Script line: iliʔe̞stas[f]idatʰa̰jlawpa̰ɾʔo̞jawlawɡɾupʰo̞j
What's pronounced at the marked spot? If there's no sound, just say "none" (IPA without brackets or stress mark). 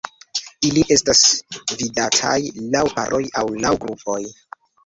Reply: v